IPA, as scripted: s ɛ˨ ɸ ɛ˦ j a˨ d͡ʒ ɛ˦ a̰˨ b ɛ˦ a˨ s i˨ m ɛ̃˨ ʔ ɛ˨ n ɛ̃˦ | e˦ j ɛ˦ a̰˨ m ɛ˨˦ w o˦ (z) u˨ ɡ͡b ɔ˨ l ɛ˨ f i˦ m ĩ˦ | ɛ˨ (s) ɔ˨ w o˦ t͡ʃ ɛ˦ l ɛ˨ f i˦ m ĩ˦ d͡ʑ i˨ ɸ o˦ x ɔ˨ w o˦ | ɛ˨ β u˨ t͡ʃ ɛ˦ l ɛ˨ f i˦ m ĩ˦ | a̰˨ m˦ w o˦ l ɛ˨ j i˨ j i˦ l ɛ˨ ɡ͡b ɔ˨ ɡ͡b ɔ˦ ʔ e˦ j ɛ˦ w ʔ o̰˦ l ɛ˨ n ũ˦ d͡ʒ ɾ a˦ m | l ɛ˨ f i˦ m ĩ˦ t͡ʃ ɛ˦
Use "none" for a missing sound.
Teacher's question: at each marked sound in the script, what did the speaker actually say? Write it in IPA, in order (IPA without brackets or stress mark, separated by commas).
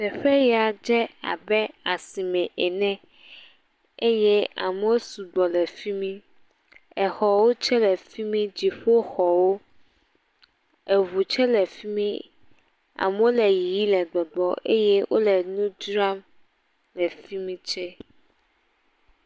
s, x